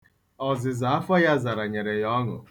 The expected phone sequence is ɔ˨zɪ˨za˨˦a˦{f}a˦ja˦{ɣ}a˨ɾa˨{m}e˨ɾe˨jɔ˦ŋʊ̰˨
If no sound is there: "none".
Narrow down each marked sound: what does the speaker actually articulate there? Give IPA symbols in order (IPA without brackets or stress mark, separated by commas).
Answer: f, z, ɲ